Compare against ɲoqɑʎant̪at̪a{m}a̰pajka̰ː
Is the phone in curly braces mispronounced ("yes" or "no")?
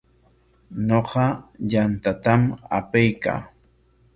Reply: no